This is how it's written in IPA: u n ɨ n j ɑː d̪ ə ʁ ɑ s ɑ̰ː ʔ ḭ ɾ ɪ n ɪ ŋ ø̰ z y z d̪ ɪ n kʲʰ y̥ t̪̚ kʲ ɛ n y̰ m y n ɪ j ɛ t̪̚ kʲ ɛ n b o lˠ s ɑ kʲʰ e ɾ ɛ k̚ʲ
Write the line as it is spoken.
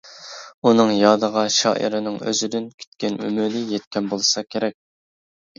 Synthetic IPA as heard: u n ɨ ŋ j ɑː d̪ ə ʁ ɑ ʃ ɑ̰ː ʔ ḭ ɾ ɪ n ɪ ŋ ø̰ z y d̪ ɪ n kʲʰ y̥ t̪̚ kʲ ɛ n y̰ m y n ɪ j ɛ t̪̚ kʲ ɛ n b o lˠ s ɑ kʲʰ e ɾ ɛ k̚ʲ